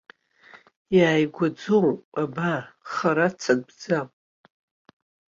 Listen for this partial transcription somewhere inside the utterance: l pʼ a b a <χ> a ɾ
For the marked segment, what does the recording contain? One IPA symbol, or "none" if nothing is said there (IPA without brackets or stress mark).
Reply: χ